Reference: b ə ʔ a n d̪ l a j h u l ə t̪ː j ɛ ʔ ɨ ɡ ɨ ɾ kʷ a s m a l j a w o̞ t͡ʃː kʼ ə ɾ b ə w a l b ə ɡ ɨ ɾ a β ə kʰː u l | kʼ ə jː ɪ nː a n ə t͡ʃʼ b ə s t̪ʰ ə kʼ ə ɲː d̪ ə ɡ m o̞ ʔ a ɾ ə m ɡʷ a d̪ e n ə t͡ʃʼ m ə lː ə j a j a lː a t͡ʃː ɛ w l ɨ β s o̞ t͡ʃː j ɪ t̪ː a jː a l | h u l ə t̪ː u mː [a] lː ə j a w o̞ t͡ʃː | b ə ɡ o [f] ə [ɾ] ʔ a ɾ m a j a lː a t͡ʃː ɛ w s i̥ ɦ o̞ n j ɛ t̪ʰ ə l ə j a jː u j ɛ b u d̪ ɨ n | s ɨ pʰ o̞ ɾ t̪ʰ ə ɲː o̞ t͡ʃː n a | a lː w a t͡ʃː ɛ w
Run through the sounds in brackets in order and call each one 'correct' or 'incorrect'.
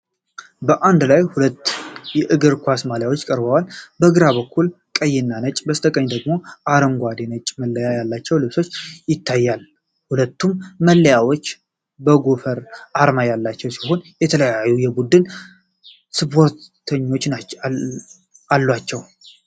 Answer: incorrect: ə, correct, correct

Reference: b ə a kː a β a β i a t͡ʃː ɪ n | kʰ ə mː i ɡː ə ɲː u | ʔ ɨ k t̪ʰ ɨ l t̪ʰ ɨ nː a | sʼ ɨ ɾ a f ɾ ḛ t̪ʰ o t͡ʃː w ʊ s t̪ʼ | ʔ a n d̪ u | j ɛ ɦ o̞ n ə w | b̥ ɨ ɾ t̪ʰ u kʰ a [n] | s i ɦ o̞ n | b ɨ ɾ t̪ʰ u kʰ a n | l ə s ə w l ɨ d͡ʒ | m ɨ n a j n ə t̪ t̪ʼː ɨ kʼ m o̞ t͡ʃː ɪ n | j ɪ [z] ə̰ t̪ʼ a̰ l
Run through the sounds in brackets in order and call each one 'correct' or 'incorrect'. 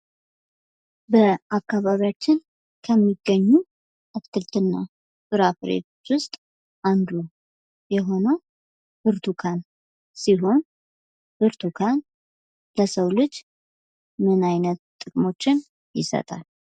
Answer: correct, incorrect: s

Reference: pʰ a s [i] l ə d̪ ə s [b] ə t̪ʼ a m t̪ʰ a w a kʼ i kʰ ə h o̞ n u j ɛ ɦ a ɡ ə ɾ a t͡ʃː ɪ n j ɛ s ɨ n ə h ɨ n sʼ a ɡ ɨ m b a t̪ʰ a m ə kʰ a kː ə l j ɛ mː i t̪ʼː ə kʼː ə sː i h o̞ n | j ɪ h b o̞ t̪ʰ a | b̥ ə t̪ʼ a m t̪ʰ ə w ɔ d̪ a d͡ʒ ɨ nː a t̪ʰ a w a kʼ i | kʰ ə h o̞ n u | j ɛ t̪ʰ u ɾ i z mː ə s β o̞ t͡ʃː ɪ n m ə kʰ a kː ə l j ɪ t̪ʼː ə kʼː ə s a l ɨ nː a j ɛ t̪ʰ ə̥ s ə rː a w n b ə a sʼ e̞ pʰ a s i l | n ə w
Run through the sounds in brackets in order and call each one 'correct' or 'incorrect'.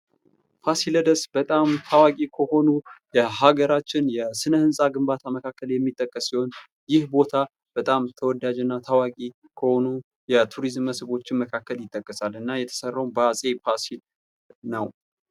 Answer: correct, correct

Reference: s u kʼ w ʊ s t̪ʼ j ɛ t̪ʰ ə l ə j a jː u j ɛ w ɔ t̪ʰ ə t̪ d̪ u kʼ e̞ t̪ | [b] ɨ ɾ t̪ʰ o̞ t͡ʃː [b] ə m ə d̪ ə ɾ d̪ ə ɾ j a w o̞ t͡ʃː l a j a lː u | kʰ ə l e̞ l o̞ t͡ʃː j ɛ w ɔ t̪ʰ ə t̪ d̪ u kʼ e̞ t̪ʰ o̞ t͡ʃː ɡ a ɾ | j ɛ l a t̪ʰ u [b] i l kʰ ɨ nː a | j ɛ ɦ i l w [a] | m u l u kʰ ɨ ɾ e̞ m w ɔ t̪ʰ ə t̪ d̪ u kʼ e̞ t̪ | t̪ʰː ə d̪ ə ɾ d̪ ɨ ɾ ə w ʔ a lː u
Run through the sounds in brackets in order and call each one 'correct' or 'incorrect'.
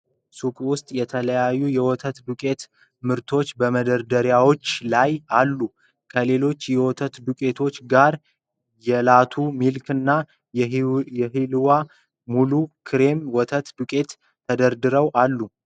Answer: incorrect: m, correct, incorrect: m, correct

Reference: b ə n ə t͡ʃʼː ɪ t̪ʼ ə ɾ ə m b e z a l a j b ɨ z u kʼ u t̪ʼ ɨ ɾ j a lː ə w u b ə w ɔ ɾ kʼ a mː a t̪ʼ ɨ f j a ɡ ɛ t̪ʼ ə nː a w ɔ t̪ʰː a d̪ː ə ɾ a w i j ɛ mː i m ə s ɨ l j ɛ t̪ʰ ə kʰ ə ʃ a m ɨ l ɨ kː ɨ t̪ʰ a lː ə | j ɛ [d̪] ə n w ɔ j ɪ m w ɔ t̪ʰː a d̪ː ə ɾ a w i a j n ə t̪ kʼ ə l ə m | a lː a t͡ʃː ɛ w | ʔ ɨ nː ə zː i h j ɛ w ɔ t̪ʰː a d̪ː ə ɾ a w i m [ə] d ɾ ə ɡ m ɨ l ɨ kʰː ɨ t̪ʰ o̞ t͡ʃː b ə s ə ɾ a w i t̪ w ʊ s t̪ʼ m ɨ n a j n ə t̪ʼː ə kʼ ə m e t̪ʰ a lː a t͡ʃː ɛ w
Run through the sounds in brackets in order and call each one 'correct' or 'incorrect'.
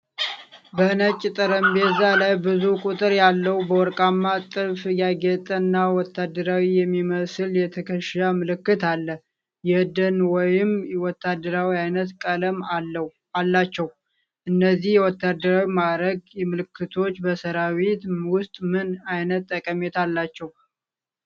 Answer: correct, incorrect: a

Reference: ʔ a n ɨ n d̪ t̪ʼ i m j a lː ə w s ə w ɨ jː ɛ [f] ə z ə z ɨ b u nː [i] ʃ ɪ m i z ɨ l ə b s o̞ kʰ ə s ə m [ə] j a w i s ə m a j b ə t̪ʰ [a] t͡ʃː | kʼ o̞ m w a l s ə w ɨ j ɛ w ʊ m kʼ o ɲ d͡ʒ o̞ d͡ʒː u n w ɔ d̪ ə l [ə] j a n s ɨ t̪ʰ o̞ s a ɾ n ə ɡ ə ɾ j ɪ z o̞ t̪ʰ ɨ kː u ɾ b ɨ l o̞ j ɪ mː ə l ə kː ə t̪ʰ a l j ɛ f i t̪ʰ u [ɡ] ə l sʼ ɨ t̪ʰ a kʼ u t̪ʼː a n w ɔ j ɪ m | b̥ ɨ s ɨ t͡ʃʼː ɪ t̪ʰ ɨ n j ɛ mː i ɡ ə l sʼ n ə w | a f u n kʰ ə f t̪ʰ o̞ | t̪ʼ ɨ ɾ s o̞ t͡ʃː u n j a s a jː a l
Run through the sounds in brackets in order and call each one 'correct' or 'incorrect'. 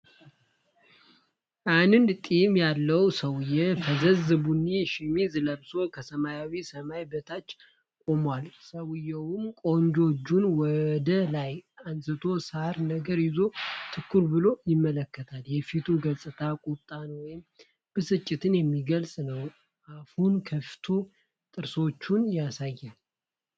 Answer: correct, correct, incorrect: a, correct, incorrect: a, correct

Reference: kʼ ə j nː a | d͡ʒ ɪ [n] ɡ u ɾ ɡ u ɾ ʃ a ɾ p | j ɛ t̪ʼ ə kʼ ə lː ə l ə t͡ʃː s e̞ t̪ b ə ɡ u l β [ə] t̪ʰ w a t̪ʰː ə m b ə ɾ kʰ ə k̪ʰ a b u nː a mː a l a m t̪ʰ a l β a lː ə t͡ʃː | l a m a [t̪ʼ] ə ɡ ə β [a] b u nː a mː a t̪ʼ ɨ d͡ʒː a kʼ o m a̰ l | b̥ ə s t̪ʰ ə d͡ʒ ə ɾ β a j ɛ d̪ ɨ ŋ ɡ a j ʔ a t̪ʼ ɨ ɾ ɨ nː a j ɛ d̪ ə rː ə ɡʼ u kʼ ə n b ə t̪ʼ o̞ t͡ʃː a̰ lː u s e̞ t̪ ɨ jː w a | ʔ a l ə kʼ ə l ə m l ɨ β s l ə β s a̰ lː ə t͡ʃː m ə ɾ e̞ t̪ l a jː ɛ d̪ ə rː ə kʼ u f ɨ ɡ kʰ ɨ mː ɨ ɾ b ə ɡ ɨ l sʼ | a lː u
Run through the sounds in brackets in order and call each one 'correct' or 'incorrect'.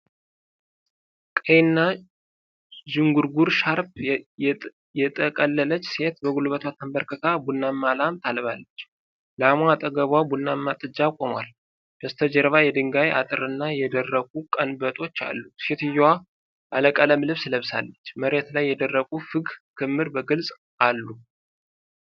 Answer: incorrect: ŋ, correct, correct, correct

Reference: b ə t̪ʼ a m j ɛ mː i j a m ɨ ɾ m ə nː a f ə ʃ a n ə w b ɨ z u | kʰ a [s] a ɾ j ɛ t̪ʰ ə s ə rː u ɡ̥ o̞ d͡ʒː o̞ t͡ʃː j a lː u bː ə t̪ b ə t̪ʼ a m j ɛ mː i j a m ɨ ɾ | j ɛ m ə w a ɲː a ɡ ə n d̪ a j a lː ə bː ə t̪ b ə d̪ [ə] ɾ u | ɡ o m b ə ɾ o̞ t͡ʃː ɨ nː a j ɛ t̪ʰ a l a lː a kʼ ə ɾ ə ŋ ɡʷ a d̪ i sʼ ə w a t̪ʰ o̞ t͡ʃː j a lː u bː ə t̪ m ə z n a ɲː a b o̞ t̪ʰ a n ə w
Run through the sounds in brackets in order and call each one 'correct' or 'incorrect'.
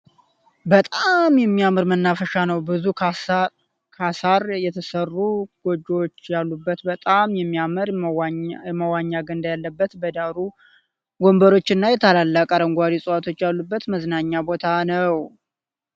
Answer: correct, incorrect: a

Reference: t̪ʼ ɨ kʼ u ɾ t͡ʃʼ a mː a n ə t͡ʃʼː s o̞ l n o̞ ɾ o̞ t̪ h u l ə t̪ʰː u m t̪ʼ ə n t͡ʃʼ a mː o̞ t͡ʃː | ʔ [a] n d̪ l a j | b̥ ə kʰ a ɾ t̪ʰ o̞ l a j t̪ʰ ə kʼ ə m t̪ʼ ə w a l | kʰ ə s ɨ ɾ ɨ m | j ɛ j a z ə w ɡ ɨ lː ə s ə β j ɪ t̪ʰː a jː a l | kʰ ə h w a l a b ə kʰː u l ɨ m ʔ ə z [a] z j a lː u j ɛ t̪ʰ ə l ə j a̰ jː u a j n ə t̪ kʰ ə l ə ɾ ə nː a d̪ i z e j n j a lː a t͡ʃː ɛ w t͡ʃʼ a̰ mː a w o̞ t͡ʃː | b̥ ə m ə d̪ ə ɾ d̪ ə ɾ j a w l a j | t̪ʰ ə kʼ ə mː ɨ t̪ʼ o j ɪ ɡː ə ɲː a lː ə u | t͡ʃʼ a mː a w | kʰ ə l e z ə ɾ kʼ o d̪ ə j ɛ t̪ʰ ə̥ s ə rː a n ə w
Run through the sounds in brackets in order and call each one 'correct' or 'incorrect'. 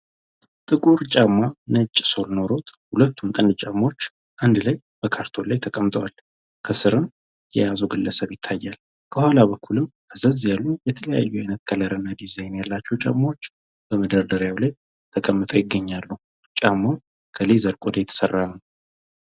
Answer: correct, incorrect: ə

